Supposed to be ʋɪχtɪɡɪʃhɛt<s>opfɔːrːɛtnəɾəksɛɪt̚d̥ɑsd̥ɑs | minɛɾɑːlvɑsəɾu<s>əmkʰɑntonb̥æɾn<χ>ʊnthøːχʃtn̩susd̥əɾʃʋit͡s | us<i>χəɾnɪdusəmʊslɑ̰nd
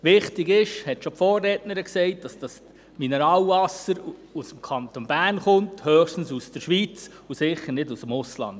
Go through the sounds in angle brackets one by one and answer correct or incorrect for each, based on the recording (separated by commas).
incorrect, correct, correct, incorrect